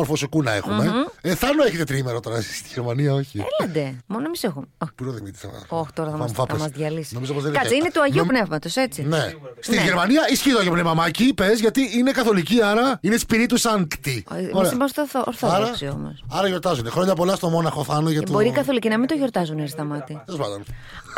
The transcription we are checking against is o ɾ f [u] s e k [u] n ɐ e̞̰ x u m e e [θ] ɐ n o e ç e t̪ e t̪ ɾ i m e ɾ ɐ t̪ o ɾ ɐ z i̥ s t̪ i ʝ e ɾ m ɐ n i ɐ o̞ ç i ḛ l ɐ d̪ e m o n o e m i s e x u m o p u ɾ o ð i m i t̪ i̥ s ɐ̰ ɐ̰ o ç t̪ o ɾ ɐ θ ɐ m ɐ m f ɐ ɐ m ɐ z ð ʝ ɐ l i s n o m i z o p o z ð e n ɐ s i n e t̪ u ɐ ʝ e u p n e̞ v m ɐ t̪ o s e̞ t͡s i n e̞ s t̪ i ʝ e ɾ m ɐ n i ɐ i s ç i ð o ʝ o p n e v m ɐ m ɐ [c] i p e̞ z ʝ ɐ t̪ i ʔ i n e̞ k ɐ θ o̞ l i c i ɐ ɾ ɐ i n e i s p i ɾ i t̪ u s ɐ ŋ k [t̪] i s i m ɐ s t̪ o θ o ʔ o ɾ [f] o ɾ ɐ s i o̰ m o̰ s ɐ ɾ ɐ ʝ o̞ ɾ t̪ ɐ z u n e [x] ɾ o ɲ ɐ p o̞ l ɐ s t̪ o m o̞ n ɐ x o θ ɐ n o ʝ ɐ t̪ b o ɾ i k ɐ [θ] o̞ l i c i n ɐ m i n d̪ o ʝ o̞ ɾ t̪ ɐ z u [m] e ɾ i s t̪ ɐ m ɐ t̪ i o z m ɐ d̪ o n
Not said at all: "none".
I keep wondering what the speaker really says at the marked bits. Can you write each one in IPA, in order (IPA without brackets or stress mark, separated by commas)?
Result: o, u, θ, c, t̪, θ, x, θ, n